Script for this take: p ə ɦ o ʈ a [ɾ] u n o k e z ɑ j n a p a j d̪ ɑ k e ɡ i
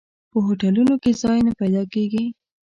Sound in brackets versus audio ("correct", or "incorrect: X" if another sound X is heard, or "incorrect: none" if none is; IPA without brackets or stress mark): incorrect: l